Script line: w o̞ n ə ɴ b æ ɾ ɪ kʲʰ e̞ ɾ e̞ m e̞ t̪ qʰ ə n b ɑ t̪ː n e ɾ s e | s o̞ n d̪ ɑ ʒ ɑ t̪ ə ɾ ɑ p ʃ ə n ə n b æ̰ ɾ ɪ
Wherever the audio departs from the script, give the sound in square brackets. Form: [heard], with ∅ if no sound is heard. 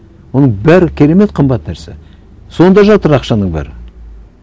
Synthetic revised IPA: w o̞ n ə ɴ b æ ɾ ɪ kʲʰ e̞ ɾ e̞ m e̞ t̪ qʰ ə [m] b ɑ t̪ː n [æ] ɾ s e | s o̞ n d̪ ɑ ʒ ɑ t̪ ə ɾ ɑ [q] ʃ [ɑ] n ə [ɴ] b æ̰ ɾ ɪ